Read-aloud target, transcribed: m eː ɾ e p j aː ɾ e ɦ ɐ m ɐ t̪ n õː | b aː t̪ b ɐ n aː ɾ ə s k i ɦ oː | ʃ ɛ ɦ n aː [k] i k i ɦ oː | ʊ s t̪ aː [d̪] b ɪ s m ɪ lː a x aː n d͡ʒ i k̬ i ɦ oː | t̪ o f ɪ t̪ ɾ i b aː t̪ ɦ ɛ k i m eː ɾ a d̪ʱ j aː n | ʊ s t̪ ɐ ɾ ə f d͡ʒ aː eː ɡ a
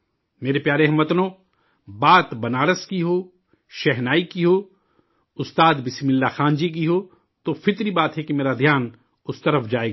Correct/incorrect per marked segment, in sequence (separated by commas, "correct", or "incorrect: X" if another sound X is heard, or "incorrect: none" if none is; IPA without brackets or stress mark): incorrect: none, correct